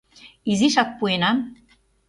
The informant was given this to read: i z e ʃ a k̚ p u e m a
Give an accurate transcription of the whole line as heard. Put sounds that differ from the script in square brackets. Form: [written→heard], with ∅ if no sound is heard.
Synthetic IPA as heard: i z [e→i] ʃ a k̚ p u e [m→n] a